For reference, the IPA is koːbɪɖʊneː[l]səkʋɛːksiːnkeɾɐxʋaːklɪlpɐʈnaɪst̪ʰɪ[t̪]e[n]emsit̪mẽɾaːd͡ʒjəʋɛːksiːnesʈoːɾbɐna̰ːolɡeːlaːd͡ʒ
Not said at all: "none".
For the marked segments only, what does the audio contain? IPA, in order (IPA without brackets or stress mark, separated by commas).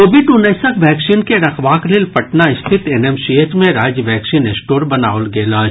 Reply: none, t̪, n